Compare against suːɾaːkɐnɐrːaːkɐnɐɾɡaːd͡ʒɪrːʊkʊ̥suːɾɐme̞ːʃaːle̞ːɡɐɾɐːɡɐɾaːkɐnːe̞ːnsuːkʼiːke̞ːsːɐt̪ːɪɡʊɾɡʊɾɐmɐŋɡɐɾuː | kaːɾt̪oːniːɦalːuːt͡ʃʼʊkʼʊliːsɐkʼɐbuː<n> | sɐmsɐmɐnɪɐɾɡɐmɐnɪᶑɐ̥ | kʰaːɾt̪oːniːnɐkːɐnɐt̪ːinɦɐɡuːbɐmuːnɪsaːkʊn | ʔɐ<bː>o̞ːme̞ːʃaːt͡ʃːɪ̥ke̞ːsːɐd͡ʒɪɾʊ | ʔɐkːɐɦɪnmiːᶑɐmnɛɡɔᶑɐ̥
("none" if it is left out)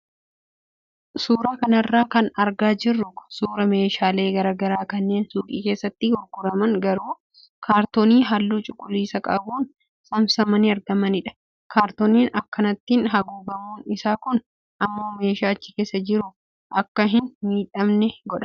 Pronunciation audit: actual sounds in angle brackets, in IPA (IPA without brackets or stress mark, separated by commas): n, mː